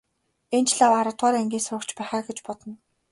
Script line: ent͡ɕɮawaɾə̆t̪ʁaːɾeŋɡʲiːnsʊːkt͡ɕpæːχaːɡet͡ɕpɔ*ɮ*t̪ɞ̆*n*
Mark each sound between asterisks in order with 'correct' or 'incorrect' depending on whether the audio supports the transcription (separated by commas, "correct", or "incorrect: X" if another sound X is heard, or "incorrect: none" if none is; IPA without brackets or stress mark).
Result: incorrect: none, correct